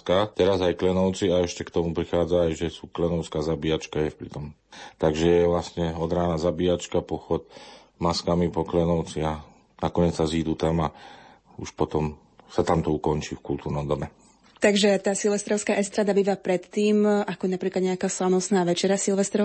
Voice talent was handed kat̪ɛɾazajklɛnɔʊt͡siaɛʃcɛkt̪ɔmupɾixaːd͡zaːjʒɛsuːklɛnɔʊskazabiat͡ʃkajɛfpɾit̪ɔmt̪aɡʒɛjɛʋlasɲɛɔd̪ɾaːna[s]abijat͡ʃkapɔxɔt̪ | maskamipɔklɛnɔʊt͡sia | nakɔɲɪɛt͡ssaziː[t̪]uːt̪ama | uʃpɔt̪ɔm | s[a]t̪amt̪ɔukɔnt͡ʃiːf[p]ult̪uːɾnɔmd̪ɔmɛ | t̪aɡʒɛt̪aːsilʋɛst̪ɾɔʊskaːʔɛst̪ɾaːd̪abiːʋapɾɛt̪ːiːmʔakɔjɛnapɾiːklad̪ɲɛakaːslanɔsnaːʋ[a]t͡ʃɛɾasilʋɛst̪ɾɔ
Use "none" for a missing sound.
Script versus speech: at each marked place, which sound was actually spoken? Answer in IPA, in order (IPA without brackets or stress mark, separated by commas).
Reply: z, d̪, a, k, ɛ